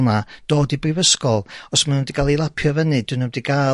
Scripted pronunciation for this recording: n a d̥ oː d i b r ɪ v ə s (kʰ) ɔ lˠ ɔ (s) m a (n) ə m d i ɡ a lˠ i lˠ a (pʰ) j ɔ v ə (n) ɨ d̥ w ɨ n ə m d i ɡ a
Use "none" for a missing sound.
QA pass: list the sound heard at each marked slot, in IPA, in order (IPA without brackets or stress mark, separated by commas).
k, s, n, pʰ, n